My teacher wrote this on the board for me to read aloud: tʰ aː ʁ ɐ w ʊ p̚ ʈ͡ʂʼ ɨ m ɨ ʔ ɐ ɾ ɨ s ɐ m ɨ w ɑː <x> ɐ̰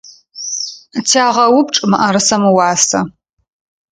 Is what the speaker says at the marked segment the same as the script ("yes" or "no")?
no